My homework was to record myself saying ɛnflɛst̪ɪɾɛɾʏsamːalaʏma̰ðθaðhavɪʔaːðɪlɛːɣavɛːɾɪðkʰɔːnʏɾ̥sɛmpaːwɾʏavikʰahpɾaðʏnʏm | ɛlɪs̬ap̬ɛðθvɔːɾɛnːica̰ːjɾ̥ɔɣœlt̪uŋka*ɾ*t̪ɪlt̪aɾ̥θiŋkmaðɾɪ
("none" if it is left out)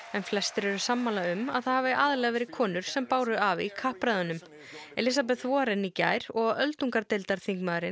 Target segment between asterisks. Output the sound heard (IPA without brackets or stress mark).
ɾ